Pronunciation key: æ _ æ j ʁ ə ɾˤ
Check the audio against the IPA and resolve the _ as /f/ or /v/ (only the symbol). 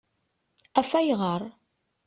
f